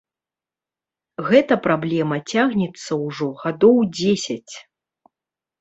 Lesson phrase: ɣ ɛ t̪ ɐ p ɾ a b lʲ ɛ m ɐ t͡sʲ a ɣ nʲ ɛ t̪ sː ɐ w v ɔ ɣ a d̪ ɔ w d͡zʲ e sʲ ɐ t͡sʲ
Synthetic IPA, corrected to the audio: ɣ ɛ t̪ ɐ p ɾ a b lʲ ɛ m ɐ t͡sʲ a ɣ nʲ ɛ t̪ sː ɐ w ʐ ɔ ɣ a d̪ ɔ w d͡zʲ e sʲ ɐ t͡sʲ